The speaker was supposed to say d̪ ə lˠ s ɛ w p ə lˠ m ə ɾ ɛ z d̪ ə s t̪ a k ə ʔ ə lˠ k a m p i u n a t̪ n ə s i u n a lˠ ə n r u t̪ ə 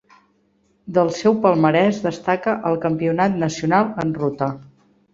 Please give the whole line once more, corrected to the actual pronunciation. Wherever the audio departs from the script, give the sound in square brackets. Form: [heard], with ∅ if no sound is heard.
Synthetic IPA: d̪ ə lˠ s ɛ w p ə lˠ m ə ɾ ɛ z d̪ ə s t̪ a k ə ʔ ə lˠ k [ə] m p i u n a t̪ n ə s i u n a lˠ ə n r u t̪ ə